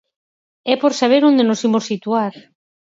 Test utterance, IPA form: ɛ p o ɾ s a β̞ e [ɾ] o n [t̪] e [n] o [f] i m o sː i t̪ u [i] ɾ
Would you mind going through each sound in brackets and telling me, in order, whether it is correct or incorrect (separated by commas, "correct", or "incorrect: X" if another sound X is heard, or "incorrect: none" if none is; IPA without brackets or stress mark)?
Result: correct, incorrect: d̪, correct, incorrect: s, incorrect: a